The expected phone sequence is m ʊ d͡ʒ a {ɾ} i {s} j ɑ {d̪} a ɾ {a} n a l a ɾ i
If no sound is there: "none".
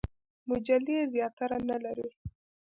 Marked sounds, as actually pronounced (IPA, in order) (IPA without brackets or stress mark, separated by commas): l, z, t̪, a